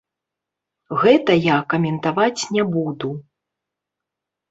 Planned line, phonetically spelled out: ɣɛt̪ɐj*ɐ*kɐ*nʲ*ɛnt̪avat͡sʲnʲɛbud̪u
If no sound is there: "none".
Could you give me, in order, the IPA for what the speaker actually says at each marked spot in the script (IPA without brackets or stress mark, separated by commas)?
a, mʲ